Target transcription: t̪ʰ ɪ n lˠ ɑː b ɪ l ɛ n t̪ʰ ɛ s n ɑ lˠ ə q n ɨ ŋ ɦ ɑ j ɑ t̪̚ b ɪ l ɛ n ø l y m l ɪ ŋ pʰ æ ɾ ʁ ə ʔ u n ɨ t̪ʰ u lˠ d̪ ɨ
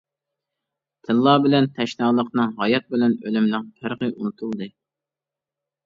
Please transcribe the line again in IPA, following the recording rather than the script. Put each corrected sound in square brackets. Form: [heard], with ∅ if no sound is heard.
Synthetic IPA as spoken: t̪ʰ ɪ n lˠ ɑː b ɪ l ɛ n t̪ʰ ɛ [ʃ] n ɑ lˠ ə q n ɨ ŋ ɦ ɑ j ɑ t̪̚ b ɪ l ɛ n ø l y m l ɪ ŋ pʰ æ ɾ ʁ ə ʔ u n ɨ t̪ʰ u lˠ d̪ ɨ